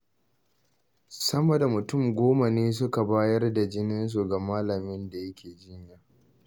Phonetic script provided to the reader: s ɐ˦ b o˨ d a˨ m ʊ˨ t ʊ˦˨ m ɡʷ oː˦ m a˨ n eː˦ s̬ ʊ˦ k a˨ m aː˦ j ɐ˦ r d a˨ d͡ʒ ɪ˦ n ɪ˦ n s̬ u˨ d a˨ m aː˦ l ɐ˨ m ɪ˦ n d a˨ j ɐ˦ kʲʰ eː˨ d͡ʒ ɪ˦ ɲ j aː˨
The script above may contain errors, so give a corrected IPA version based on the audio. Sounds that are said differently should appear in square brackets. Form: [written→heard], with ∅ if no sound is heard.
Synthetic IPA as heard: s ɐ˦ [b→m] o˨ d a˨ m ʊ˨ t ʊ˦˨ m ɡʷ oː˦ m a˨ n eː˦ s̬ ʊ˦ k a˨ [m→b] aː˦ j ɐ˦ r d a˨ d͡ʒ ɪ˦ n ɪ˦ n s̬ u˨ [d→ɡ] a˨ m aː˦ l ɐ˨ m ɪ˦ n d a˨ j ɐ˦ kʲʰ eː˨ d͡ʒ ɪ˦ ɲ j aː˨